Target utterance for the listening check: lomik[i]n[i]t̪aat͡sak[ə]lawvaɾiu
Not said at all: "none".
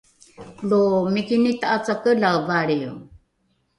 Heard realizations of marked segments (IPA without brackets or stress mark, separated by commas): i, i, ə